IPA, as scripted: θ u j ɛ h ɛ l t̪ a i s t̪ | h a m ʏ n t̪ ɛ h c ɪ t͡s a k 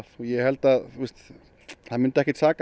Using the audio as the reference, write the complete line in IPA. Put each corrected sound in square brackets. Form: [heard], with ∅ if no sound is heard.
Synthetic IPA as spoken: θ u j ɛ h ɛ l t̪ a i s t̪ | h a m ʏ n t̪ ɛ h [k] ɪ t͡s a k